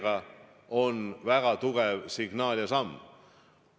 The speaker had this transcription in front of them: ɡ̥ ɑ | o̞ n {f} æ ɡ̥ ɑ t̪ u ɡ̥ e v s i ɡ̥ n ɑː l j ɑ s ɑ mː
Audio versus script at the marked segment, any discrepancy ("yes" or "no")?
yes